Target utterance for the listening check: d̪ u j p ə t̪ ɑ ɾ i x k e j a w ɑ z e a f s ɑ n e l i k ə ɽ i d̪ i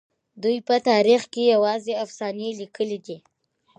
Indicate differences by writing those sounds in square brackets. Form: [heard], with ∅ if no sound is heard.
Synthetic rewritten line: d̪ u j p ə t̪ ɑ ɾ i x k e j a w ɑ z e a f s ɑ n e l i k ə [l] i d̪ i